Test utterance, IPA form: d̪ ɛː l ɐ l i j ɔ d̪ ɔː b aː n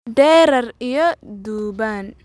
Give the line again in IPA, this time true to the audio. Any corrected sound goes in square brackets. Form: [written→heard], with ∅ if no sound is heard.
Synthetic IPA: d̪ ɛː [l→ɾ] ɐ [l→r] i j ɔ d̪ [ɔː→uː] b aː n